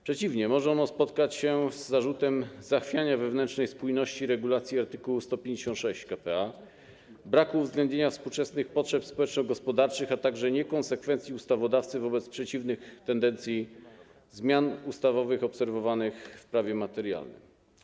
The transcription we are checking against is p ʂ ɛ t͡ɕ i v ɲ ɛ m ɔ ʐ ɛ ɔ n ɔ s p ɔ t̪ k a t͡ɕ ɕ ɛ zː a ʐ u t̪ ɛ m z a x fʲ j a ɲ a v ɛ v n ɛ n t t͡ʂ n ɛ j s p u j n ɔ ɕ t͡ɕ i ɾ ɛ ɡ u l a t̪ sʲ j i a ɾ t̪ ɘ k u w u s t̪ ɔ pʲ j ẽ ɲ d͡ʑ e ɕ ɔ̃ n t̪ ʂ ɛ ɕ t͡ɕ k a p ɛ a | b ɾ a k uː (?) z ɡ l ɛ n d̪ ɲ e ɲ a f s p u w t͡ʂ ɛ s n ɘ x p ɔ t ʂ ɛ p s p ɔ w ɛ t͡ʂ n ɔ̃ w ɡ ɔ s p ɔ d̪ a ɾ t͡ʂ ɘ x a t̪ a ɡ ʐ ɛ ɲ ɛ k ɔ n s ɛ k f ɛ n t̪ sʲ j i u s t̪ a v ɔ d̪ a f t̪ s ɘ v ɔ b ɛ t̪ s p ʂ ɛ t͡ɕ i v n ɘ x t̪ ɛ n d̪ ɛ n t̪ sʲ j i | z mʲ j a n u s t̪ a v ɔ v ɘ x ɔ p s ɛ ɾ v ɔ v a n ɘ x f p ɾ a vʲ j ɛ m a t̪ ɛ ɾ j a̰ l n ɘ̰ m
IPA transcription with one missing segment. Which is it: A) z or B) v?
B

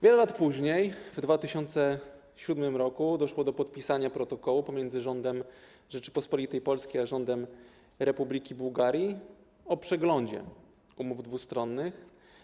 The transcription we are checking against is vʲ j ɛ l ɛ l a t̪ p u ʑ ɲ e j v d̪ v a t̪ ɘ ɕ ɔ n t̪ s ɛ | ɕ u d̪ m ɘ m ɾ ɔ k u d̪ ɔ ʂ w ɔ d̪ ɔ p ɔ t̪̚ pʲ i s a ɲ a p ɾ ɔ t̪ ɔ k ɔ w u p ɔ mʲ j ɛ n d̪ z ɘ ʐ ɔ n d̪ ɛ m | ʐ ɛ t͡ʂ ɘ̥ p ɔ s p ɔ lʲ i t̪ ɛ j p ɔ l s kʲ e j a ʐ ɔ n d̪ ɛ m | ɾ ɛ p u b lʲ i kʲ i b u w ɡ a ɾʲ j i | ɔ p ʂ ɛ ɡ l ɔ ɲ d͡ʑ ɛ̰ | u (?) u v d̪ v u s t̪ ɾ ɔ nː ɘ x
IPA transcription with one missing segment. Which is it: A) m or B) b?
A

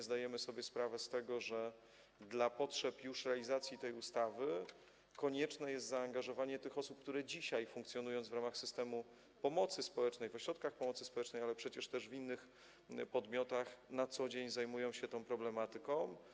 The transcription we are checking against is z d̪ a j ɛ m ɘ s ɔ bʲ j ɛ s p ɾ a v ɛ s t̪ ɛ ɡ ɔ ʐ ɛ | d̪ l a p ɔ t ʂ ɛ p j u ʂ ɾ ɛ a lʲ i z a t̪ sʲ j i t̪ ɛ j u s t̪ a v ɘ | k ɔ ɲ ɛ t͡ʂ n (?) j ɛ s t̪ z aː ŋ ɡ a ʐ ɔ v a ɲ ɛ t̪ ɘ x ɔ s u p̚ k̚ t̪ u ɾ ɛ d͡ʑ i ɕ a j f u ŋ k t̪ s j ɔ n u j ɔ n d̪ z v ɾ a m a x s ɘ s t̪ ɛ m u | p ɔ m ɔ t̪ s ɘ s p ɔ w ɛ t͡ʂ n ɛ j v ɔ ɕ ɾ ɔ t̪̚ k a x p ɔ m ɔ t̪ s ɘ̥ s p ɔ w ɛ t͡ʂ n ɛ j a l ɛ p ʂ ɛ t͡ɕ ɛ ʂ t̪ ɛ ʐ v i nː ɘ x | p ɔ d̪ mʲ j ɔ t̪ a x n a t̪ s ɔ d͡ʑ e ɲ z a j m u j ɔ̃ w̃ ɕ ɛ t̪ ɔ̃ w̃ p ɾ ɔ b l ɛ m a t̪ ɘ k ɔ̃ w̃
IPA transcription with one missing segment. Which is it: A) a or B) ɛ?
B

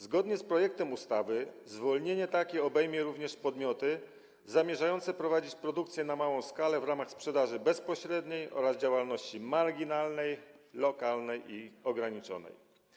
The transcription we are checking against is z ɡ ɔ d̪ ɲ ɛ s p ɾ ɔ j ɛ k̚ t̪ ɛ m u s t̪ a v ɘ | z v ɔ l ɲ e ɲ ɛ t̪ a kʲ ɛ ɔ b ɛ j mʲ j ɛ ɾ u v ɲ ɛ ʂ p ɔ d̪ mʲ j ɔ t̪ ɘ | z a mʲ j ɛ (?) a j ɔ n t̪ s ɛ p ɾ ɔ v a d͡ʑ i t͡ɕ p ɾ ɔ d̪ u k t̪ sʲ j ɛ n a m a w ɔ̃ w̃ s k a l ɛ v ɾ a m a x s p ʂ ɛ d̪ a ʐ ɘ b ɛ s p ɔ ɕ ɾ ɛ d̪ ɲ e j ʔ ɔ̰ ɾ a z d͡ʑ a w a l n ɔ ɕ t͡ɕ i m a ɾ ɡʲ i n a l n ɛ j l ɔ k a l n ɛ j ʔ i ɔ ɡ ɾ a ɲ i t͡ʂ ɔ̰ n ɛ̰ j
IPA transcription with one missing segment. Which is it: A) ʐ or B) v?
A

